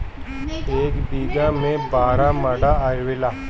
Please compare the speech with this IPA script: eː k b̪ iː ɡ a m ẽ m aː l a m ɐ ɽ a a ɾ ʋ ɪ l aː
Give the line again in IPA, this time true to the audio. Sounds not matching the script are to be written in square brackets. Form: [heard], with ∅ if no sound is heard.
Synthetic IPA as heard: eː k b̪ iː ɡ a m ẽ [b] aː [ɾ] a m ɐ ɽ a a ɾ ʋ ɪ l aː